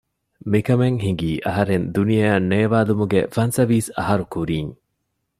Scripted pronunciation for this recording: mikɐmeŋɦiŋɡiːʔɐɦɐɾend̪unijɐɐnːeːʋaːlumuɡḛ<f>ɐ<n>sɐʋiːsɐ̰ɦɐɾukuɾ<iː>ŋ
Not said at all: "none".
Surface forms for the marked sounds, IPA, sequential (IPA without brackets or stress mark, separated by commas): f, n, iː